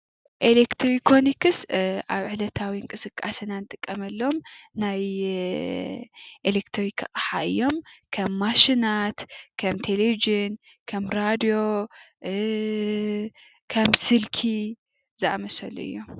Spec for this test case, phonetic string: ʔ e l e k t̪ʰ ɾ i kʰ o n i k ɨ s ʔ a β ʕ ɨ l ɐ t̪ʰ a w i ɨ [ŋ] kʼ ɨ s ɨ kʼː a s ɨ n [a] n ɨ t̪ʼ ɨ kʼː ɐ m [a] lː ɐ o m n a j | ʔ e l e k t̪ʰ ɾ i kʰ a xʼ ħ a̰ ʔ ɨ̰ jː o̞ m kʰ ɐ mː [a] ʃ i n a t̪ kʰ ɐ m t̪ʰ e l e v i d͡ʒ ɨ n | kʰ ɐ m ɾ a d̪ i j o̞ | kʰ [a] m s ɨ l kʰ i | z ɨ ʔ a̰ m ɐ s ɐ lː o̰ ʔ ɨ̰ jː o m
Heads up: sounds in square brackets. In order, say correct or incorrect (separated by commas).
correct, correct, incorrect, correct, incorrect